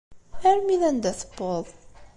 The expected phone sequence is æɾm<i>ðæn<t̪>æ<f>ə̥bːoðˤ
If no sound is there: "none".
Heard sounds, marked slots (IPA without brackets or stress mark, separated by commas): i, d̪, θ